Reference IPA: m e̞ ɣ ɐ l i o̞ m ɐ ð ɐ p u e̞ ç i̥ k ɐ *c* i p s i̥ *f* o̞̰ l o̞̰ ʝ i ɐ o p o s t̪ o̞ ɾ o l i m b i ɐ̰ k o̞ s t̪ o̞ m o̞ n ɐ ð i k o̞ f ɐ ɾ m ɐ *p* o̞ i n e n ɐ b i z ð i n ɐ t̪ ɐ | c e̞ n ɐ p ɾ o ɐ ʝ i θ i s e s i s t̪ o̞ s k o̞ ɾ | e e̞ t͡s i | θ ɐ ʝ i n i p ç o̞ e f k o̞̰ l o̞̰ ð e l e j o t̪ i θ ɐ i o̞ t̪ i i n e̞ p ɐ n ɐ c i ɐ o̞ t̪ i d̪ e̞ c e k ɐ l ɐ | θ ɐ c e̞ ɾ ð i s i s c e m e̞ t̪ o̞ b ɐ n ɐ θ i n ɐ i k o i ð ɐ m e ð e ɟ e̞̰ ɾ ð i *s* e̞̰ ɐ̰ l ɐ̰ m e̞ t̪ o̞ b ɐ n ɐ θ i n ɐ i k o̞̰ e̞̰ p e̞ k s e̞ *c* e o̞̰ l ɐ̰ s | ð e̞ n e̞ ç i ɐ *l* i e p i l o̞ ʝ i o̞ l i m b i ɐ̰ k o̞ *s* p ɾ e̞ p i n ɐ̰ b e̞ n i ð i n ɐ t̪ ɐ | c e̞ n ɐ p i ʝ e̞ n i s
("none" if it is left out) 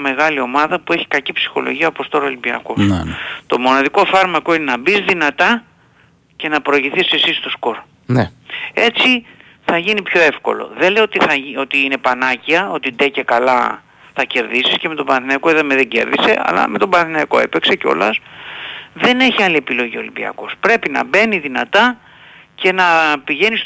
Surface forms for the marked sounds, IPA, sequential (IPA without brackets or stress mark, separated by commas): c, x, k, s, c, l, s